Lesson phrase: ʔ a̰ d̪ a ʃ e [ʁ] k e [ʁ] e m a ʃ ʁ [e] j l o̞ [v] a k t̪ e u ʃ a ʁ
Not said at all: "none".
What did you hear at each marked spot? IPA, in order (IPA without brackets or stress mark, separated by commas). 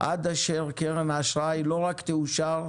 ʁ, ʁ, a, ʁ